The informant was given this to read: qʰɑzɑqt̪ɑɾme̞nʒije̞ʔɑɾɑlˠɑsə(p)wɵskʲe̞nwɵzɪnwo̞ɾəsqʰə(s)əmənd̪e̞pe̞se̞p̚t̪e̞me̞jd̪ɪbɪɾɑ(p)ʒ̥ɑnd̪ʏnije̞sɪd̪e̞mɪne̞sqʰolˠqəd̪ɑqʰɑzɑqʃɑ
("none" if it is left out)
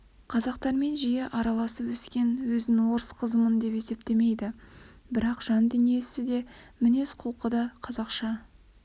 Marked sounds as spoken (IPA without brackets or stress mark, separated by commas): p, z, q